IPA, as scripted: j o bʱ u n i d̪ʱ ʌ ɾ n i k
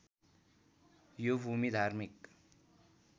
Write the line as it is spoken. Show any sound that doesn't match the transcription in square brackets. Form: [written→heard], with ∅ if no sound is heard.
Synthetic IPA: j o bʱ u [n→m] i d̪ʱ [ʌ→a] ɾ [n→m] i k